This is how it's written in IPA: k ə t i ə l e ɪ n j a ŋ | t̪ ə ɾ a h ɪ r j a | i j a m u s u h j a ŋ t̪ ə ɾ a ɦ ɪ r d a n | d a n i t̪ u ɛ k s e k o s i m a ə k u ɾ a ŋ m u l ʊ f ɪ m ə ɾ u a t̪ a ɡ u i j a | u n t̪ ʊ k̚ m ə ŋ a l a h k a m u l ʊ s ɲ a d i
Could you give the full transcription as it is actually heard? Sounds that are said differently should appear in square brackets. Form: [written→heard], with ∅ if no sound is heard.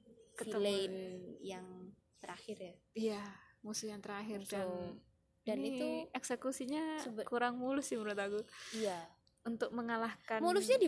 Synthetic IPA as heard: k ə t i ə l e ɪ n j a ŋ | t̪ ə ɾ a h ɪ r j a | i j a m u s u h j a ŋ t̪ ə ɾ a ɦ ɪ r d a n | d a n i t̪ u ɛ k s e k [o→u] s i [m→ɲ] a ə k u ɾ a ŋ m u l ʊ [f→s] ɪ m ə ɾ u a t̪ a ɡ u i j a | u n t̪ ʊ k̚ m ə ŋ a l a h k a m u l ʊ s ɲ a d i